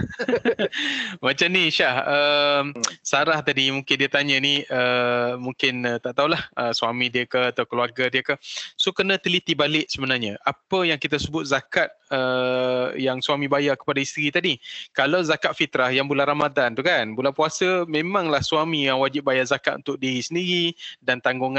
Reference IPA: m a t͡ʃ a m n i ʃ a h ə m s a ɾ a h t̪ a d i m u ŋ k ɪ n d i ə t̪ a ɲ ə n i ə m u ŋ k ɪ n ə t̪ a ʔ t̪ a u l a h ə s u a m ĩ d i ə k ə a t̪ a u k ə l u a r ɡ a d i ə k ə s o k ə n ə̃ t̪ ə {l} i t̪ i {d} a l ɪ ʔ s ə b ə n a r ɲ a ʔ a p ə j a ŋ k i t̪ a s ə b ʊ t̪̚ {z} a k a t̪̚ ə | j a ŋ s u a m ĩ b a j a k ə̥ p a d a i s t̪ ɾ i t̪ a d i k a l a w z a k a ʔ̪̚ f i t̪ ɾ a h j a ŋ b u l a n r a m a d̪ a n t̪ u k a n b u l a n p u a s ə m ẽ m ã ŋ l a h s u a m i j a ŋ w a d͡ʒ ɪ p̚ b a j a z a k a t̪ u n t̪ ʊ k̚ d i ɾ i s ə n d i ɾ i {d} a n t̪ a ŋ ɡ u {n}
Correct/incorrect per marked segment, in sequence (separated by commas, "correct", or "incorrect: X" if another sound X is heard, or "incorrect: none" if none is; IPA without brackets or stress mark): correct, incorrect: b, correct, correct, incorrect: ŋ